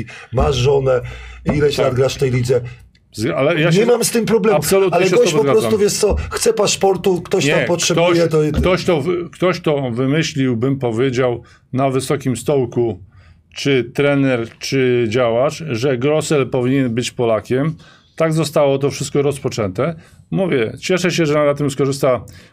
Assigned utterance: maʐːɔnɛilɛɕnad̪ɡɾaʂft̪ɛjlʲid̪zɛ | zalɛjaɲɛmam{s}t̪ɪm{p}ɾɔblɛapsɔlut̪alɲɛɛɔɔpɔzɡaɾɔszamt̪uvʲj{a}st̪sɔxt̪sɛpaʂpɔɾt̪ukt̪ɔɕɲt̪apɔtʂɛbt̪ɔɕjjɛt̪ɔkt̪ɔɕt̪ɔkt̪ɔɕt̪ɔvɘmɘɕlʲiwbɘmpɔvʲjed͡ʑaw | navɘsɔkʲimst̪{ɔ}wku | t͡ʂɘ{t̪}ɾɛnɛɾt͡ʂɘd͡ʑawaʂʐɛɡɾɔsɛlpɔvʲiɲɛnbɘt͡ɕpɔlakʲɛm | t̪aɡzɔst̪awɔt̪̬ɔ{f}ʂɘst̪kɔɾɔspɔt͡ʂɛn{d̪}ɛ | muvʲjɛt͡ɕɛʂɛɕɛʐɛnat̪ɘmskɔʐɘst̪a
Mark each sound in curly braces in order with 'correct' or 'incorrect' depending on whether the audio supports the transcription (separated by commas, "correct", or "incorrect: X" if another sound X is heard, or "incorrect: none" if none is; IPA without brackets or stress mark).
correct, correct, incorrect: ɛ, correct, correct, correct, incorrect: t̪